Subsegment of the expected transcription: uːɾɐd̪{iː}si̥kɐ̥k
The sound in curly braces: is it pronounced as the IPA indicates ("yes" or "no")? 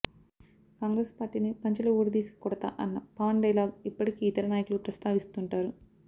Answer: yes